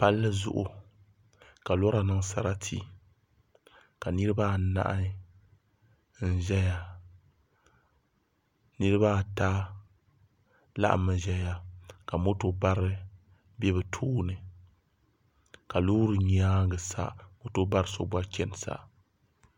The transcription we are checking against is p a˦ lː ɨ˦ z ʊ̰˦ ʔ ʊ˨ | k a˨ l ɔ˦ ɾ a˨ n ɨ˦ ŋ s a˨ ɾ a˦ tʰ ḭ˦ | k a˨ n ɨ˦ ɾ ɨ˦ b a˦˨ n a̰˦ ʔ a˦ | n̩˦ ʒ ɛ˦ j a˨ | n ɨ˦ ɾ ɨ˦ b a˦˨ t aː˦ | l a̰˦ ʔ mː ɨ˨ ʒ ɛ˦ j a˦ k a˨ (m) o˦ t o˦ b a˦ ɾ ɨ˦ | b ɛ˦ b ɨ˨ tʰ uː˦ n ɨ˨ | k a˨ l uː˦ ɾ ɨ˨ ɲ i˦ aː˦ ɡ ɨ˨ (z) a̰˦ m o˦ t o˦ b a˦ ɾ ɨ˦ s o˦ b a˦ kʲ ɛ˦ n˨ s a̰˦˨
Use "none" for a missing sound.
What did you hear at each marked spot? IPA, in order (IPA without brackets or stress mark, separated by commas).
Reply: m, s